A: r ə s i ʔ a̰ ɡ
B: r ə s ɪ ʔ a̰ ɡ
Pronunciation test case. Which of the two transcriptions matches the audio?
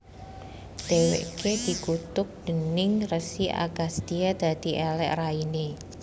A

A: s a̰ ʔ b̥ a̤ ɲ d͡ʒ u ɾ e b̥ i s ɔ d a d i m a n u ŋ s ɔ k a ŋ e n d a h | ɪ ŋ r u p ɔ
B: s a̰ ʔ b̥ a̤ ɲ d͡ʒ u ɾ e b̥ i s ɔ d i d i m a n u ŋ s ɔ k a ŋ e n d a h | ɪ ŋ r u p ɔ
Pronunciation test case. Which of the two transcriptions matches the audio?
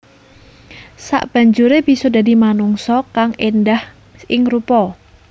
A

